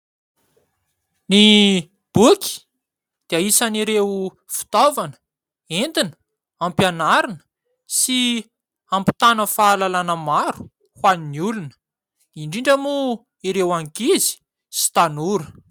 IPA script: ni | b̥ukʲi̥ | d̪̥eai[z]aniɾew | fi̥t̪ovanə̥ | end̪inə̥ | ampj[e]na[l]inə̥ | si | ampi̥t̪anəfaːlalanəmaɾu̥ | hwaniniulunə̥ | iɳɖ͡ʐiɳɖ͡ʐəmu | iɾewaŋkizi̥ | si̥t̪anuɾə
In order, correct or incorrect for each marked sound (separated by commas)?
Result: incorrect, incorrect, incorrect